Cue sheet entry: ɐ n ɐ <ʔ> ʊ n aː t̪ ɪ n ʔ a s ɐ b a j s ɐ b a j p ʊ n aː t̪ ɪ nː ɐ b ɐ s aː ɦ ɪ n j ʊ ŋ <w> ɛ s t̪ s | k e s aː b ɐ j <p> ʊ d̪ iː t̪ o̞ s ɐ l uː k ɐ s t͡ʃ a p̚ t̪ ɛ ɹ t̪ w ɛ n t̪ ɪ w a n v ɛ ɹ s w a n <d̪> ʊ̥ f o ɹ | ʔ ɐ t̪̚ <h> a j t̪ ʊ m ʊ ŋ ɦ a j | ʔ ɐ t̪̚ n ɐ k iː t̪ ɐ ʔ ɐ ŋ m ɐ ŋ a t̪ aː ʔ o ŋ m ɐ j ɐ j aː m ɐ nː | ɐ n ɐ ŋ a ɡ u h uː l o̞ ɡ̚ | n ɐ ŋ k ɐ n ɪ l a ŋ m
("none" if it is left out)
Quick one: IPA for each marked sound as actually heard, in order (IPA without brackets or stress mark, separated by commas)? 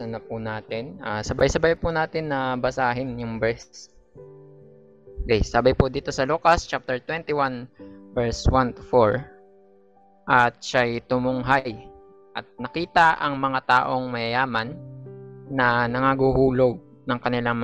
p, b, p, t̪, ʃ